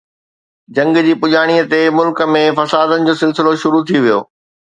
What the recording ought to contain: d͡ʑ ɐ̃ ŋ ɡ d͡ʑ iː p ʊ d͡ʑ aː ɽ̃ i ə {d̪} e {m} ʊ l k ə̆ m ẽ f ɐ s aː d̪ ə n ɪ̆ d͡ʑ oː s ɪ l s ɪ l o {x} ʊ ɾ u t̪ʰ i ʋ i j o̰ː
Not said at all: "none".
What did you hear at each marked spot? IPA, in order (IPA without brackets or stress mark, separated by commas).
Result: t̪, m, ʃ